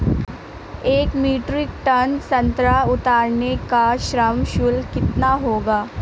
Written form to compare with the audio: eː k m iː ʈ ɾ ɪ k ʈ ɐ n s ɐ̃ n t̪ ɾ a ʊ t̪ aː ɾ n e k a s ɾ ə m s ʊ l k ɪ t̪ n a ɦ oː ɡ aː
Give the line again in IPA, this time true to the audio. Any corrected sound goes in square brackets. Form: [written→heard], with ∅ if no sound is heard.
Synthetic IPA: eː k m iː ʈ ɾ ɪ k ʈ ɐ n s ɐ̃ n t̪ ɾ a ʊ t̪ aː ɾ n e k a [s→ʃ] ɾ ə m [s→ʃ] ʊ l k ɪ t̪ n a ɦ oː ɡ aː